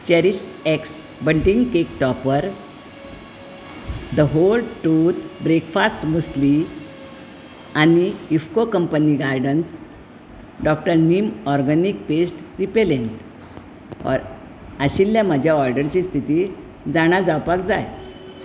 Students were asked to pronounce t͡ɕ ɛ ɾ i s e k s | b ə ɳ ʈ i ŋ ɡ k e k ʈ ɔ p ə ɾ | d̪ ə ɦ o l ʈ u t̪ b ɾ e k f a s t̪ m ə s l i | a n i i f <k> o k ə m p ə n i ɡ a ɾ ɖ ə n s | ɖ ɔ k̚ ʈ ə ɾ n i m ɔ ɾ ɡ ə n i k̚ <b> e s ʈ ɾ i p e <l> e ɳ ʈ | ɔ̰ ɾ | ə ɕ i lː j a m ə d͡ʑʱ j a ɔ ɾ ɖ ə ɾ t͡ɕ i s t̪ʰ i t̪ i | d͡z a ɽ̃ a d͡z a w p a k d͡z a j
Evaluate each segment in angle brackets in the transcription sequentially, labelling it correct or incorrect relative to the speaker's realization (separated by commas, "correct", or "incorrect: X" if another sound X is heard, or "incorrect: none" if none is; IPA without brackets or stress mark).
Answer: correct, incorrect: p, correct